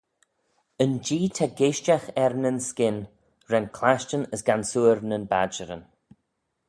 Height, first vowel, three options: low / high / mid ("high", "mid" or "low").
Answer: mid